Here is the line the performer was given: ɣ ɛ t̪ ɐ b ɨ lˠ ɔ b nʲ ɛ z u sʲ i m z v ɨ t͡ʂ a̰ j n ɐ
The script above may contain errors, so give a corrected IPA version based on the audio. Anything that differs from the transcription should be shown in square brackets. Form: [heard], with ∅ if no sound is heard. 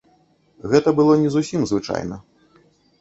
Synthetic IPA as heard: ɣ ɛ t̪ ɐ b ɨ lˠ ɔ [∅] nʲ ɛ z u sʲ i m z v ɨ t͡ʂ a̰ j n ɐ